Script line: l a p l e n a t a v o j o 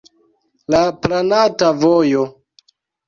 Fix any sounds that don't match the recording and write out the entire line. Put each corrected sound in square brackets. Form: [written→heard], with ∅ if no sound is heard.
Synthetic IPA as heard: l a p l [e→a] n a t a v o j o